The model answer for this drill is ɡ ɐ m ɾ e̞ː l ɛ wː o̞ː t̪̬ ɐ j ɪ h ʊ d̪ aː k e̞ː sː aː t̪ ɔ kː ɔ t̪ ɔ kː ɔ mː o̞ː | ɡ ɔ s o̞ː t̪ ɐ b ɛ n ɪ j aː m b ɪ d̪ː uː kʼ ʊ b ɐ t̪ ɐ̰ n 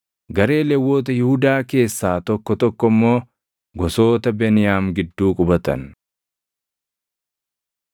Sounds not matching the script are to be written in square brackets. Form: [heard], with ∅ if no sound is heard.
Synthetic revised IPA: ɡ ɐ [∅] ɾ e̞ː l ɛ wː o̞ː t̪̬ ɐ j ɪ h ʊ d̪ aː k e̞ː sː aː t̪ ɔ kː ɔ t̪ ɔ kː ɔ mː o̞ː | ɡ ɔ s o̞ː t̪ ɐ b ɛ n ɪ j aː m [ɡ] ɪ d̪ː uː kʼ ʊ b ɐ t̪ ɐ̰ n